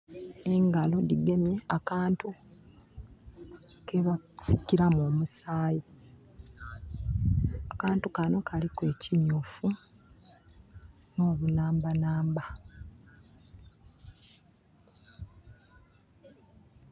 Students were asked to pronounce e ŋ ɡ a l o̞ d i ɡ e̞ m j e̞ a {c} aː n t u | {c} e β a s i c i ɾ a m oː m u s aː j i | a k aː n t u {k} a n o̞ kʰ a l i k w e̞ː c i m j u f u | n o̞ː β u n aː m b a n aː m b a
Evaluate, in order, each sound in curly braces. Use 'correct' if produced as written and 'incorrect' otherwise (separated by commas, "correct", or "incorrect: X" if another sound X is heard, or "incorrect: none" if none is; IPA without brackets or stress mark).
incorrect: k, incorrect: k, correct